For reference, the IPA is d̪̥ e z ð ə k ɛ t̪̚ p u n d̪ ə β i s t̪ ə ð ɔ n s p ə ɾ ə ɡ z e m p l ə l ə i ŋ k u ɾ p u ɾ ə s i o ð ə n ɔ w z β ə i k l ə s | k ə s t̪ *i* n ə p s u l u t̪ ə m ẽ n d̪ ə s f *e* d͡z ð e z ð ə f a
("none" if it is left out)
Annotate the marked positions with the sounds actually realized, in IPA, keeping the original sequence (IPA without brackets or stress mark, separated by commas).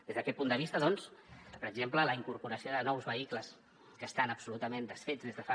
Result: a, e